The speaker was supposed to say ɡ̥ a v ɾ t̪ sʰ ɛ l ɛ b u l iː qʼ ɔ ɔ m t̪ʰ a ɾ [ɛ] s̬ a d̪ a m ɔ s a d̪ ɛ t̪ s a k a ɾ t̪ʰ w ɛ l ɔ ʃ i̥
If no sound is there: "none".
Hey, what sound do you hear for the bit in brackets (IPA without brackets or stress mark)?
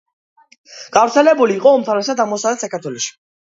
ɛ